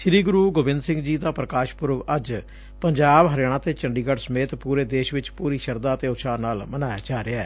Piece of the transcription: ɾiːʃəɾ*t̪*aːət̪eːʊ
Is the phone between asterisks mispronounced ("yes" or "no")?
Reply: yes